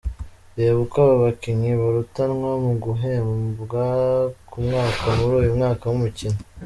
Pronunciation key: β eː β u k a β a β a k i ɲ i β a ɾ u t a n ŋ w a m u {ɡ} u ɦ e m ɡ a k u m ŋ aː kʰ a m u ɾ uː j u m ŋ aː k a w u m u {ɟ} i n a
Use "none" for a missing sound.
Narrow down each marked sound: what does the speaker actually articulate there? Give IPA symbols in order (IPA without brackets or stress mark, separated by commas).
ɡ, c